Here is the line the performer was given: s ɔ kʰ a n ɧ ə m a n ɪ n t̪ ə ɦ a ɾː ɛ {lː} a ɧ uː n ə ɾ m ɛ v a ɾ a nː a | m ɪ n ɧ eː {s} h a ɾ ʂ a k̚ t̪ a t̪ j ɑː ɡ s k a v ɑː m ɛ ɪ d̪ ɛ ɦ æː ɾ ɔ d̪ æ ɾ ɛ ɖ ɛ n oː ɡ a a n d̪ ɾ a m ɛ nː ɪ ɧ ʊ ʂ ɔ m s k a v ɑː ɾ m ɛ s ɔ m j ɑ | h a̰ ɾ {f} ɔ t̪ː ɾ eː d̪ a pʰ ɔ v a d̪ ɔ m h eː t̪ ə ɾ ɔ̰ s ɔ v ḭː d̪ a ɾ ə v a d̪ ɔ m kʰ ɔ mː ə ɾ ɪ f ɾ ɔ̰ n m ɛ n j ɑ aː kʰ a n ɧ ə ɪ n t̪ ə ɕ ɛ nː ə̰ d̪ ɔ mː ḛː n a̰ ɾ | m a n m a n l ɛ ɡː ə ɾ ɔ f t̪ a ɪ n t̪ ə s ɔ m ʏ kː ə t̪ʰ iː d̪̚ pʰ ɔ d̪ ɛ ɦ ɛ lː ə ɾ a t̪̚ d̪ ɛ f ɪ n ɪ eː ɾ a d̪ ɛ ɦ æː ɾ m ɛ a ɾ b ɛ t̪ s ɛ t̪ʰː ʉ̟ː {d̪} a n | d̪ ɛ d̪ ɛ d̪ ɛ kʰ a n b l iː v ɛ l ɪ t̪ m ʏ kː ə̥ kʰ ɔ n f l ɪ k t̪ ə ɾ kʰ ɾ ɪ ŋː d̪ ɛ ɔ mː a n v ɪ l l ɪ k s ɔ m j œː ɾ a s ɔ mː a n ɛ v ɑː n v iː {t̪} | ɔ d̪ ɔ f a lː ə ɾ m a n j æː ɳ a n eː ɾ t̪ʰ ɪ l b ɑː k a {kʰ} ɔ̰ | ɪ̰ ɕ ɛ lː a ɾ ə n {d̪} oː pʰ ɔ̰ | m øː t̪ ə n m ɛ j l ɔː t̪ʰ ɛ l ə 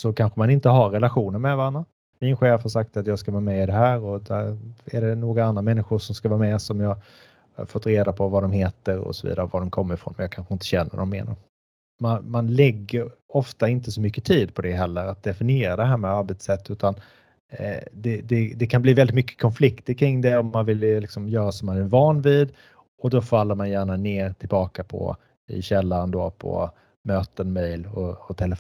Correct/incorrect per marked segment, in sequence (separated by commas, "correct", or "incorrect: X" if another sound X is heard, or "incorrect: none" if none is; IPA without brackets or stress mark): incorrect: l, incorrect: f, correct, incorrect: t̪, incorrect: d̪, incorrect: pʰ, correct